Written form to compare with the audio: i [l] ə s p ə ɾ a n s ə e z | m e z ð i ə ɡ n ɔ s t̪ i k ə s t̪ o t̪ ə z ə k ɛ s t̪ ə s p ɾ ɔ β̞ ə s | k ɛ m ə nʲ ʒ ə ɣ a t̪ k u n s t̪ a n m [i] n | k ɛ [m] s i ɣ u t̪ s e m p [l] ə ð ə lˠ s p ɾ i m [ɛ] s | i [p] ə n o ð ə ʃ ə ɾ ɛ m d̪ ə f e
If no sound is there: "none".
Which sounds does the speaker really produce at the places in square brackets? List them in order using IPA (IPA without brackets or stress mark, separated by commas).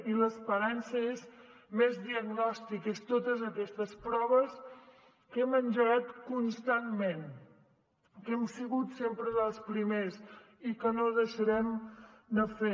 l, e, m, ɾ, e, k